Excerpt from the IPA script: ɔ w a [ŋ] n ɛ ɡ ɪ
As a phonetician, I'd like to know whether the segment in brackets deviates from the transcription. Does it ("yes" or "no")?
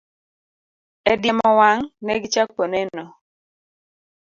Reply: no